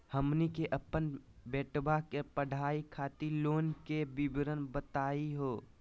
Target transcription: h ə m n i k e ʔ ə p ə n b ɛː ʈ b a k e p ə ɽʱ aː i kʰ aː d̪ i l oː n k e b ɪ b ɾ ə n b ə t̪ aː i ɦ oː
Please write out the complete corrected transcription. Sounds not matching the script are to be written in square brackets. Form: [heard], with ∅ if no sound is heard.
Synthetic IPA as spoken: h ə m n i k e ʔ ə p ə n b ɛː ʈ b a k e p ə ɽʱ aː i kʰ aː [t̪] i l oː n k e b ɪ b ɾ ə n b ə t̪ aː i ɦ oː